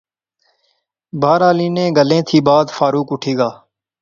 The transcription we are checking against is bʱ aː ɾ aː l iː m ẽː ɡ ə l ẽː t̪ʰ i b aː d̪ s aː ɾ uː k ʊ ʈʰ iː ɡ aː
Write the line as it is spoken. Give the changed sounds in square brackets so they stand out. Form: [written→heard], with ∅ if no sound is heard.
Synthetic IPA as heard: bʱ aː ɾ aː l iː [m→n] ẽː ɡ ə l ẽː t̪ʰ [i→iː] b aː d̪ [s→f] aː ɾ uː k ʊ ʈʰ iː ɡ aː